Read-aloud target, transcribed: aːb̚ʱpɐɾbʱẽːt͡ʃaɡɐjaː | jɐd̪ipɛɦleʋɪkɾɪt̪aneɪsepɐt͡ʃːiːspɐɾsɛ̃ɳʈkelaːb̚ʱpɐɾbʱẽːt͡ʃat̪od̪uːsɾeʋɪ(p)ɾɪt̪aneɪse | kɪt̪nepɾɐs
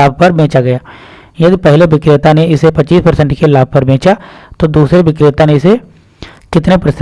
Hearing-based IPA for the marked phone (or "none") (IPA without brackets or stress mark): k